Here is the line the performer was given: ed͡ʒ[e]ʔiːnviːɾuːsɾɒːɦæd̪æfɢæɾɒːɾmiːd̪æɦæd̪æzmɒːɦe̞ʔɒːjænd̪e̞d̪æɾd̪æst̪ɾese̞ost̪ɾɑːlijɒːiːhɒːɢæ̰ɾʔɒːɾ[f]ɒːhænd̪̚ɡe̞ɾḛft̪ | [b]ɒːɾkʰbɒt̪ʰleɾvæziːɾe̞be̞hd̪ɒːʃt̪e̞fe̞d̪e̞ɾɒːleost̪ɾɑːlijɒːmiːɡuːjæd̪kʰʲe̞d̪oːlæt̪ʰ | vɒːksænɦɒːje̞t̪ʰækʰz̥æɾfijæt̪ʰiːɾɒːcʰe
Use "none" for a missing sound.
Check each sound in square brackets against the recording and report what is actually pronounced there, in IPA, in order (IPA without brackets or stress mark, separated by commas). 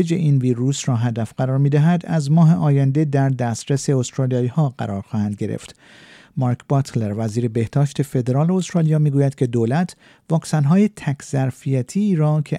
e, x, m